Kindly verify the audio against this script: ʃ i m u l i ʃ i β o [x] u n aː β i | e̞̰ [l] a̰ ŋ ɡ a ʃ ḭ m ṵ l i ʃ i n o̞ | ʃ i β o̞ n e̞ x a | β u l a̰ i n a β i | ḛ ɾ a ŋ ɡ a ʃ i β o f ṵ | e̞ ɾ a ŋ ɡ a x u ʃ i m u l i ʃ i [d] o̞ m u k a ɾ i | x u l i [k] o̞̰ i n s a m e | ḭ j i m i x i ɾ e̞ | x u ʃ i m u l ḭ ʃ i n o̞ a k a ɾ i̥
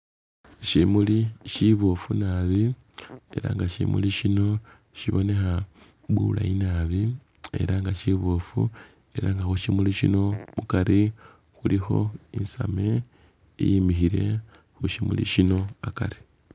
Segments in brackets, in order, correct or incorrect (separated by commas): incorrect, incorrect, incorrect, incorrect